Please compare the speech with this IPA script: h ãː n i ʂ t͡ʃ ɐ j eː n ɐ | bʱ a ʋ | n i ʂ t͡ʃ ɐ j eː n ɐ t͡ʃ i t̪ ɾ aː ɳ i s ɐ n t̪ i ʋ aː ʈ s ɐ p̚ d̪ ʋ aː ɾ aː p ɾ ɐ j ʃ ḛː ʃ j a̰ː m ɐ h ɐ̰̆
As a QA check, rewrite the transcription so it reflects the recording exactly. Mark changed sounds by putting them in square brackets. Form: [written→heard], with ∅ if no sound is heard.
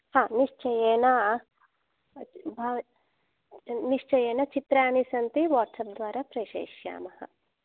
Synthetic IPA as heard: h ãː n i ʂ t͡ʃ ɐ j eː n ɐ | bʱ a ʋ | n i ʂ t͡ʃ ɐ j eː n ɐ t͡ʃ i t̪ ɾ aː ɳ i s ɐ n t̪ i ʋ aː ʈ s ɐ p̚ d̪ ʋ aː ɾ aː p ɾ ɐ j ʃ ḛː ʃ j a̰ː m ɐ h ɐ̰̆